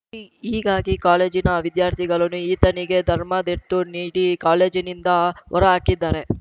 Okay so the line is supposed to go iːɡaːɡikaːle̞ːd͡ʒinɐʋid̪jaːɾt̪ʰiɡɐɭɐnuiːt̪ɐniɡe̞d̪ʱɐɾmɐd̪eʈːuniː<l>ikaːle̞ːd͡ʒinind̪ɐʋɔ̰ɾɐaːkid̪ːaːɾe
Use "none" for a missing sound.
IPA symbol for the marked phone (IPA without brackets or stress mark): ɽ